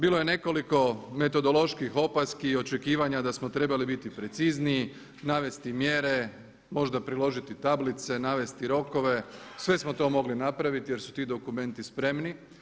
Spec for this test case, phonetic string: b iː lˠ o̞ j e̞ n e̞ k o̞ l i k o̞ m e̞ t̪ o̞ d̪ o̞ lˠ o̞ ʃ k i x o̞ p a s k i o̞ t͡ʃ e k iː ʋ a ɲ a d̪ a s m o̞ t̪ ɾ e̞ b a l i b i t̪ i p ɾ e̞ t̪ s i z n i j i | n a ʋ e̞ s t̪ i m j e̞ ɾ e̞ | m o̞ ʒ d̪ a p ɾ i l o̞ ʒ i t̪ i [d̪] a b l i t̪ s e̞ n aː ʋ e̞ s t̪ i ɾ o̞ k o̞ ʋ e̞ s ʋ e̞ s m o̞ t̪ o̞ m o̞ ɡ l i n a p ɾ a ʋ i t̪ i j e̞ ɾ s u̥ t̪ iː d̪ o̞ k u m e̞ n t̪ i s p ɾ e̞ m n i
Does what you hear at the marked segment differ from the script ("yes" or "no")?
yes